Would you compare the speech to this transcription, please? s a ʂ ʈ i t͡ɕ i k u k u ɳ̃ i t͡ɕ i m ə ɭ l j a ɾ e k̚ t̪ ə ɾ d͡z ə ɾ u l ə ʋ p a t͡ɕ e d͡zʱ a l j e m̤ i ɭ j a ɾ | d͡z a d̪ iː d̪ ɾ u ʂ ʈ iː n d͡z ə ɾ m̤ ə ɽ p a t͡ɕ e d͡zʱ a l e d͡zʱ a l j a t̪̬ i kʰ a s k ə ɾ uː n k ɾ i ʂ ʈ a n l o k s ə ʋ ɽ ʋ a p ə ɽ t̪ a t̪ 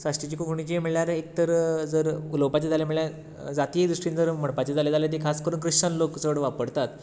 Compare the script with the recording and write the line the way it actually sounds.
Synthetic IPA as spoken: s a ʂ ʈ i t͡ɕ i k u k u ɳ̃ i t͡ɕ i m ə ɭ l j a ɾ e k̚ t̪ ə ɾ d͡z ə ɾ u l ə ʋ p a t͡ɕ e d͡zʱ a l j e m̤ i ɭ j a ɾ | d͡z a t̪ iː d̪ ɾ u ʂ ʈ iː n d͡z ə ɾ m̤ ə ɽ p a t͡ɕ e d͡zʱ a l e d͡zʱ a l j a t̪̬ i kʰ a s k ə ɾ uː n k ɾ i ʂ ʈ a n l o k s ə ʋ ɽ ʋ a p ə ɽ t̪ a t̪